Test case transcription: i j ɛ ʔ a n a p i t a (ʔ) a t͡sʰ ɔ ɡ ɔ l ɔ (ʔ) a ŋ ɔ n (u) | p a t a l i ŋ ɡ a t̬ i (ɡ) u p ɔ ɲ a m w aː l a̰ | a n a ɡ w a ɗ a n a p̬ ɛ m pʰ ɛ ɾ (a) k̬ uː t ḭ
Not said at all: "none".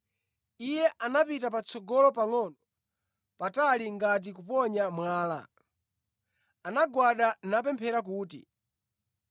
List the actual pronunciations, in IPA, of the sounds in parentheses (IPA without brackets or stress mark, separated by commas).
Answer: p, p, ɔ, k, a